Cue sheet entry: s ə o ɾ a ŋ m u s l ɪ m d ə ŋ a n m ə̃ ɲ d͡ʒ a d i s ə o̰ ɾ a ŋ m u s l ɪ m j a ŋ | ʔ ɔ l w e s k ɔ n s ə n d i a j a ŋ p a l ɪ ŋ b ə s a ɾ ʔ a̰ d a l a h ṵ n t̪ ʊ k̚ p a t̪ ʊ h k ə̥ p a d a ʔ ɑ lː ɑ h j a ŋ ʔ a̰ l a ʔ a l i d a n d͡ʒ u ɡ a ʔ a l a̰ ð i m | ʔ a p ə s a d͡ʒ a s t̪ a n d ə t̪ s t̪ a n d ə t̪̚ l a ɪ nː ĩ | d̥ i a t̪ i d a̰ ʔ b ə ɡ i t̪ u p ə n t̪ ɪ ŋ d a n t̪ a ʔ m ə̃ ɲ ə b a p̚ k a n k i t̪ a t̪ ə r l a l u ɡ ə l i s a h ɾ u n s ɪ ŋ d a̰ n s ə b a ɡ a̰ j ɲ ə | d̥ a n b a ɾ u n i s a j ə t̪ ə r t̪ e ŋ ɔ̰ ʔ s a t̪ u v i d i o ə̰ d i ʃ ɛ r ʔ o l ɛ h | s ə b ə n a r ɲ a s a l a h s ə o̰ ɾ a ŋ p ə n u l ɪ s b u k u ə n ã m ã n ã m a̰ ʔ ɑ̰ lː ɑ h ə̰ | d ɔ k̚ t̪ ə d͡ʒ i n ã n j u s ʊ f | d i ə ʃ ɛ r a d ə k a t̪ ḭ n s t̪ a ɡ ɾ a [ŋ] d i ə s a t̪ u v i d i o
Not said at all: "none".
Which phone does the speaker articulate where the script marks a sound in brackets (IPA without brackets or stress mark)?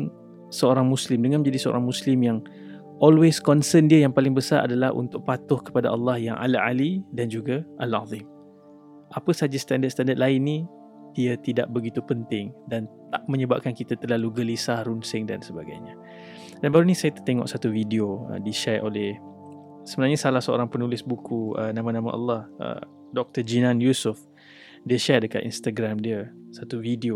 m